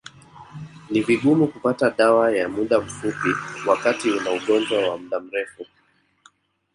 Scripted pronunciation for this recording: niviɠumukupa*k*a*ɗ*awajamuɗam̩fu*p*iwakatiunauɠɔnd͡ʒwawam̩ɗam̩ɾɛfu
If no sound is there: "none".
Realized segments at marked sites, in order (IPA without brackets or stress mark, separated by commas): t, ɗ, p